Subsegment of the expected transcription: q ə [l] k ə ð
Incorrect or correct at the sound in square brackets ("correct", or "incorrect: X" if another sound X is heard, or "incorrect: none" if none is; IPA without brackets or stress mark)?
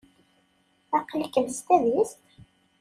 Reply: correct